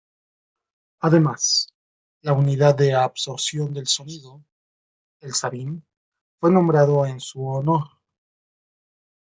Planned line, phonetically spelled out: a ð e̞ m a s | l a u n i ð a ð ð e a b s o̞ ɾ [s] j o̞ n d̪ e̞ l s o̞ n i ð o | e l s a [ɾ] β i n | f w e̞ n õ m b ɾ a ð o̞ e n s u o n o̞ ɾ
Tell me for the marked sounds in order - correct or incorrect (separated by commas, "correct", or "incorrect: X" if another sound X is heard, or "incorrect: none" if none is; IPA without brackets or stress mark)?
correct, incorrect: none